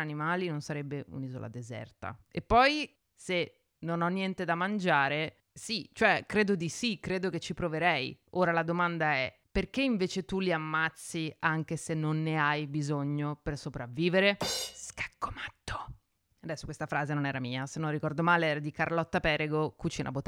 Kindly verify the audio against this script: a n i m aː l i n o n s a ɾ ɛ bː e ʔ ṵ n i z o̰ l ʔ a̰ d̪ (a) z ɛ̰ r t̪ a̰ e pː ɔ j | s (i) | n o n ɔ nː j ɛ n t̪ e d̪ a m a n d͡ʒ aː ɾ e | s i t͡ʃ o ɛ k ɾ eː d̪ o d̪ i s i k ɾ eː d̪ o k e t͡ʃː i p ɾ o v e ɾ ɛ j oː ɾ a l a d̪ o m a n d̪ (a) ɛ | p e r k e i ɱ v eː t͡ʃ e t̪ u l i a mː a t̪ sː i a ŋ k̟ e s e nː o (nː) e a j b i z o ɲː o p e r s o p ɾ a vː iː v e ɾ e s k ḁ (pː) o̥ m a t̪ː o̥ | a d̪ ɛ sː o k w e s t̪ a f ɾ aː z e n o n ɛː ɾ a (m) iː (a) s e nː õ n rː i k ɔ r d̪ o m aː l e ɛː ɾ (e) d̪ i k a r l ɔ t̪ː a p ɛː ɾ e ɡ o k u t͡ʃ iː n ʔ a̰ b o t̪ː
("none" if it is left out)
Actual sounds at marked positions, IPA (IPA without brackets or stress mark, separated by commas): e, e, a, nː, kː, m, a, a